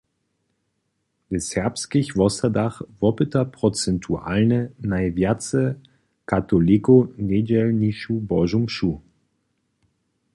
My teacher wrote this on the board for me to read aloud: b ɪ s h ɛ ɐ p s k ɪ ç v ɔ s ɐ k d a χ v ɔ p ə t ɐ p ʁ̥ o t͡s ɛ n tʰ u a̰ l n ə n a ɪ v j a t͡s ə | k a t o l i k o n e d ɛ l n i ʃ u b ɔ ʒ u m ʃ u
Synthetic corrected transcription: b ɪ s h ɛ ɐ p s k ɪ ç v ɔ s ɐ d a χ v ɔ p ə t ɐ p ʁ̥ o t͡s ɛ n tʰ u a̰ l n ə n a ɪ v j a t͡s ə | k a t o l i k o n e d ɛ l n i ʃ u b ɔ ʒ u m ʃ u